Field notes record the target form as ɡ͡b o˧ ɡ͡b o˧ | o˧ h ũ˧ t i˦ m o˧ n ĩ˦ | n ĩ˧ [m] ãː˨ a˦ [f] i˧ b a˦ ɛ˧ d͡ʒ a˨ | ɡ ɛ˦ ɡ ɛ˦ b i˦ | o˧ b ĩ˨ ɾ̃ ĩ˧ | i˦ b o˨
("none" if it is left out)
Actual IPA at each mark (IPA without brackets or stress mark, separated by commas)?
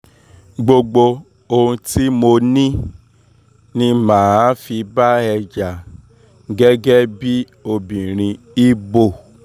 m, f